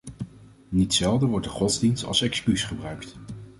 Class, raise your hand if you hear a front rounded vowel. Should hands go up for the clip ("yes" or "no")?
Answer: yes